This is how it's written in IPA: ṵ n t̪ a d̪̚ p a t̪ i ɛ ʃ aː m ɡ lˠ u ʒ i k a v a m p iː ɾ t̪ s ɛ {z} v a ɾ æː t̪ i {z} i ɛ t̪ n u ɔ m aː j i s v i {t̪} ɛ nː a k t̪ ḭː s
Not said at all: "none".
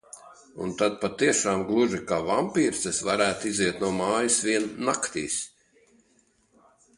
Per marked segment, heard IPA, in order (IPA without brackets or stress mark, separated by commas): s, z, none